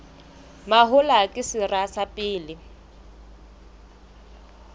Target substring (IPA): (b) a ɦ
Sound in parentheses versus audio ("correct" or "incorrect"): incorrect